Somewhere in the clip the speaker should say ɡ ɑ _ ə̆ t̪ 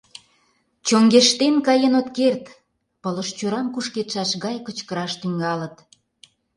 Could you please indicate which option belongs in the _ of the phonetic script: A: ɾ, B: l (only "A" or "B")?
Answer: B